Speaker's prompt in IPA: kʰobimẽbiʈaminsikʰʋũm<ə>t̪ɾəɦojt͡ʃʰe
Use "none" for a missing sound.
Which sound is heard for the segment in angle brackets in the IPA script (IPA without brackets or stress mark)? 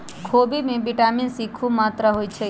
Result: a